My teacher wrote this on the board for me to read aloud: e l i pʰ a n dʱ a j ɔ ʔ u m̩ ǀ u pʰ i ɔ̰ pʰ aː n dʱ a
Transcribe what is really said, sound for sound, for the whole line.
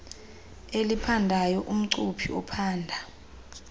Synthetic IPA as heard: e l i pʰ a n dʱ a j ɔ ʔ u m̩ ǀ u pʰ i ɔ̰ pʰ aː n dʱ a